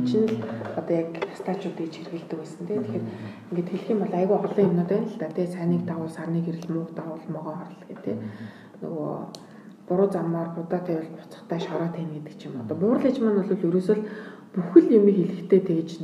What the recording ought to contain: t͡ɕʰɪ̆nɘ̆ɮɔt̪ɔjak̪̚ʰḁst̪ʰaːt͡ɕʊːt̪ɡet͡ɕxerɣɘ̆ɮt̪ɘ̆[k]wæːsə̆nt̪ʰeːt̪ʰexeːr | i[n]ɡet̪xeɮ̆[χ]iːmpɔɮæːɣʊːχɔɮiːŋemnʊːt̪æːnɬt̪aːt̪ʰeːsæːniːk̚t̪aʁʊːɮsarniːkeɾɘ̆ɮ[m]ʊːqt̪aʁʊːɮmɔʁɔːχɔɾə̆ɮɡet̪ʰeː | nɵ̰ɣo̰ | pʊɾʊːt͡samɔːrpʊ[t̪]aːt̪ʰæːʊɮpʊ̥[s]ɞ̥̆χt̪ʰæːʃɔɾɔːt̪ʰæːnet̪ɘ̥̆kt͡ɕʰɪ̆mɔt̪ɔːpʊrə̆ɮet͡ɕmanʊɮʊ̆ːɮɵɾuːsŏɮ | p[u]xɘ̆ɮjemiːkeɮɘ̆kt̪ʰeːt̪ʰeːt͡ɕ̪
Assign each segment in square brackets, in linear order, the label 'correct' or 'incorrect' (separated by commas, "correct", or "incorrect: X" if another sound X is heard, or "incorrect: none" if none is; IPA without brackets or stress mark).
correct, incorrect: ŋ, incorrect: x, correct, correct, incorrect: t͡s, correct